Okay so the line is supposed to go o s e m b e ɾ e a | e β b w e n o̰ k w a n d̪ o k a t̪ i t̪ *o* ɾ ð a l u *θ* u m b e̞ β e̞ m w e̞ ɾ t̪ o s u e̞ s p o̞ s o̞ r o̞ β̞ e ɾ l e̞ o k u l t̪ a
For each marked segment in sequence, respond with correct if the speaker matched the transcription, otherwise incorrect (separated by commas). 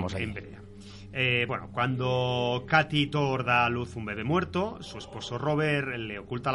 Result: correct, correct